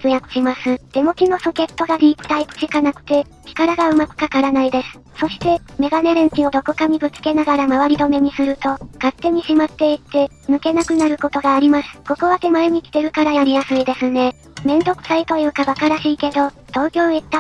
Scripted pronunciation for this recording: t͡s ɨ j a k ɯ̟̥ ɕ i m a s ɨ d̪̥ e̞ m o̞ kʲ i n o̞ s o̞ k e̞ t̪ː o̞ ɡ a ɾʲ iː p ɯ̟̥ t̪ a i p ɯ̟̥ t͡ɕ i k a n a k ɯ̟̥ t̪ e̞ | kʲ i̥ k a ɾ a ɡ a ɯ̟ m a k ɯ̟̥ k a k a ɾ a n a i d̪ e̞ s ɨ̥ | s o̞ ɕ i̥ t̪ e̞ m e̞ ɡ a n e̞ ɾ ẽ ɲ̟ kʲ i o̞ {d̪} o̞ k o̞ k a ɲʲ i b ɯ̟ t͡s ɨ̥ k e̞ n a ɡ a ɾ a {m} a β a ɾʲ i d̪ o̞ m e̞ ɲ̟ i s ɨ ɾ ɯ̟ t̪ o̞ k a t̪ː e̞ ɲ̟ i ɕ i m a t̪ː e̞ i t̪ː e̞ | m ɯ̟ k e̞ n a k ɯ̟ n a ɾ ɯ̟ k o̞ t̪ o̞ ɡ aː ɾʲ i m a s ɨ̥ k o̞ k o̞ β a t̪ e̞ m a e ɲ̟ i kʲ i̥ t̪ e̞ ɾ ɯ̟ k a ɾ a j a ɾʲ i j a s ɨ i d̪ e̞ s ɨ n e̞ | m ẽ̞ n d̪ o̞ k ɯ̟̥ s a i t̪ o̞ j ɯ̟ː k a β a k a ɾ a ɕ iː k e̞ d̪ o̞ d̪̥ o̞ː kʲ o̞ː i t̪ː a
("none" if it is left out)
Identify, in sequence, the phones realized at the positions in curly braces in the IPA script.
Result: d̪, m

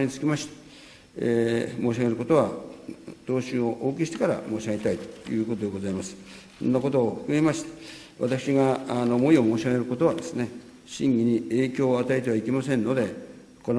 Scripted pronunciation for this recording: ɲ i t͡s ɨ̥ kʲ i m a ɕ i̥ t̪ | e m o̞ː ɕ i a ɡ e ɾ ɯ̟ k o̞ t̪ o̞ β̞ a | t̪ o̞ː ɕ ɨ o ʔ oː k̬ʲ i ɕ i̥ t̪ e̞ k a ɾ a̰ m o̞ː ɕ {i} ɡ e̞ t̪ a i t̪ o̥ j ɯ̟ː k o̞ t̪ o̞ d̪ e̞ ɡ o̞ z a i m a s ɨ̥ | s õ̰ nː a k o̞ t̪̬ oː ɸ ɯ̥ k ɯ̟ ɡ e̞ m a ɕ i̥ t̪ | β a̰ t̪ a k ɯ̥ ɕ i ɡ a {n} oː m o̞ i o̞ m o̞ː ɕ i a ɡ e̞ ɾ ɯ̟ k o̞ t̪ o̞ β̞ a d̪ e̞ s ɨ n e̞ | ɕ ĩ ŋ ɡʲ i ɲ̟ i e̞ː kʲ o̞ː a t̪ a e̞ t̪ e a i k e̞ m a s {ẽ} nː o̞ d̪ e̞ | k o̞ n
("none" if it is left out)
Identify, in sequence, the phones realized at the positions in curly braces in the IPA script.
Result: a, n, ẽ

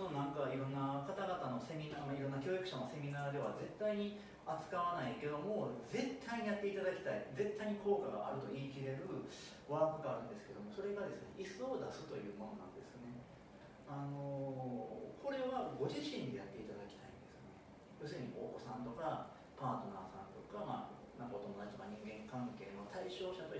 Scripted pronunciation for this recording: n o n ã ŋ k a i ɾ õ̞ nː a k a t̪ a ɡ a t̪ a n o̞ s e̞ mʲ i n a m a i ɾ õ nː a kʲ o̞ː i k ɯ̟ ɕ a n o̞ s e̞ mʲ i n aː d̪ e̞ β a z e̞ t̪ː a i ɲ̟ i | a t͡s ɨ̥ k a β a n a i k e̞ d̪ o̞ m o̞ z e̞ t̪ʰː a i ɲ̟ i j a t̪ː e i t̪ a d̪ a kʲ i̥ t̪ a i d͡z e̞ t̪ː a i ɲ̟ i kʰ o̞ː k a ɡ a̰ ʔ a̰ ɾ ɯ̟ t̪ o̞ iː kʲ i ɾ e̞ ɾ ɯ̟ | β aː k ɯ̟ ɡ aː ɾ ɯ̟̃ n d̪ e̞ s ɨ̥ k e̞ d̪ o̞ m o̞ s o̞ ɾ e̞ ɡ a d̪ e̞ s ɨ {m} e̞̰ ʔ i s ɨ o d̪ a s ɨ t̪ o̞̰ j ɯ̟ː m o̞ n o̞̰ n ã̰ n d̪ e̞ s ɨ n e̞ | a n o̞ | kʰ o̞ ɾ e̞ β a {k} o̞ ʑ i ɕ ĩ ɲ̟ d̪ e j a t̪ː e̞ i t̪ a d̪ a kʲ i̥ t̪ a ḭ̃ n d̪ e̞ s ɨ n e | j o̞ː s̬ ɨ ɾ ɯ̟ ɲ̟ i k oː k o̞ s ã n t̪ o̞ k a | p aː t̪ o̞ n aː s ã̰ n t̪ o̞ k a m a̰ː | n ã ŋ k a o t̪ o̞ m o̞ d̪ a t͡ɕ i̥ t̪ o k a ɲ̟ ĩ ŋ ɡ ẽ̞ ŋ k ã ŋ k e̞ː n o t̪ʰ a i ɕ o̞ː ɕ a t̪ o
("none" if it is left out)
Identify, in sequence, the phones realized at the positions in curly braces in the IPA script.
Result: n, ɡ

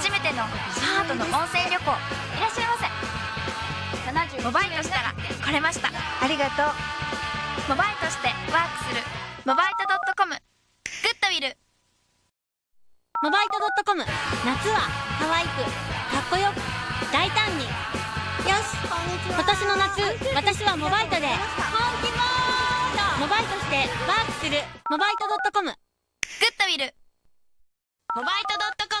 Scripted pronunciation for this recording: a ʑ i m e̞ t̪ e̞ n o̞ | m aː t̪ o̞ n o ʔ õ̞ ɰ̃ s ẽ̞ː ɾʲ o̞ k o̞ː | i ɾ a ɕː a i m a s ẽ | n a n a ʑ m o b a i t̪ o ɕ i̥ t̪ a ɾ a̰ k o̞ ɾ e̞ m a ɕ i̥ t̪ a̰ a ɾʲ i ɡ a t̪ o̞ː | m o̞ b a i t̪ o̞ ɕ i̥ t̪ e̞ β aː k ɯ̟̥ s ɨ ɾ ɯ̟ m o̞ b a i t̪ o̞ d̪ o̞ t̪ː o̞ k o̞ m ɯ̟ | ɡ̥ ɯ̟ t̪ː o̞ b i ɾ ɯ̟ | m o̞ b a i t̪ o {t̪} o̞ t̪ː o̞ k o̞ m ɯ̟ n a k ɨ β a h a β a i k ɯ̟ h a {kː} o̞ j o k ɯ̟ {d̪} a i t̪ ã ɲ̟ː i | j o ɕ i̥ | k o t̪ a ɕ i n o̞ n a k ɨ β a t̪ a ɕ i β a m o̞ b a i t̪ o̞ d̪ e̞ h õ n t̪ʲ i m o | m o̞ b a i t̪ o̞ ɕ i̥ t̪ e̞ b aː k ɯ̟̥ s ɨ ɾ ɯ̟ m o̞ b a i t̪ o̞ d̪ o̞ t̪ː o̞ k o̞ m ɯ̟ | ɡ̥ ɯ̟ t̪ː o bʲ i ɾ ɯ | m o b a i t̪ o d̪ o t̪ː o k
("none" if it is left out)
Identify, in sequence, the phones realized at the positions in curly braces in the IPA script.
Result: d̪, kː, d̪

